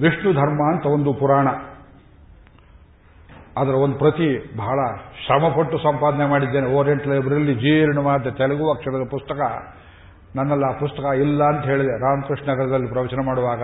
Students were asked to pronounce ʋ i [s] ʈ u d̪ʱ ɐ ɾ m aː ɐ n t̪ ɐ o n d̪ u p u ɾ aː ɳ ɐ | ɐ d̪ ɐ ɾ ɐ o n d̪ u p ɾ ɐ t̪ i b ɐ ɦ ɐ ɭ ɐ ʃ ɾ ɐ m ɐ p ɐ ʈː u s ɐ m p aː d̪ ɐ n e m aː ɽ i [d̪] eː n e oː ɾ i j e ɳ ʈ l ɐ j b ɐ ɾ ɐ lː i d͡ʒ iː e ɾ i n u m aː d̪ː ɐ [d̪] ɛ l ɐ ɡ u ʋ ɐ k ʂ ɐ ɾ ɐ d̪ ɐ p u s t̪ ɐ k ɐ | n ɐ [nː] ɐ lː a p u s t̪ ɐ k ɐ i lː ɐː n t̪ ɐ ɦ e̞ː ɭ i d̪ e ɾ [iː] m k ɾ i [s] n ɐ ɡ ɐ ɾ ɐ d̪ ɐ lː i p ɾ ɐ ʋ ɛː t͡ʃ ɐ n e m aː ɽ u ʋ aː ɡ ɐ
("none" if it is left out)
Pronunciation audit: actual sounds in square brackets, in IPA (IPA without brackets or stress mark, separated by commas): ʂ, d̪ː, t̪, nː, aː, ʂ